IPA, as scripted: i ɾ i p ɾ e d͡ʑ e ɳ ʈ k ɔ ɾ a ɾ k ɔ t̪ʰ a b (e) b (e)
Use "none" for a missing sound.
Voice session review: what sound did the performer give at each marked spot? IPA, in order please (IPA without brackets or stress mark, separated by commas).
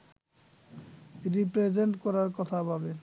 a, e